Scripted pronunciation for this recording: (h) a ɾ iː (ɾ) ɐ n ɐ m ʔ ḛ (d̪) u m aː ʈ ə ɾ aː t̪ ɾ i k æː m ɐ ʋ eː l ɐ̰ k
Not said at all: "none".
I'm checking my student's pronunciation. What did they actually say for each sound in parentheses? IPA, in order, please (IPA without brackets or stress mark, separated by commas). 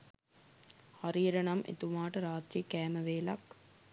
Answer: h, ɾ, t̪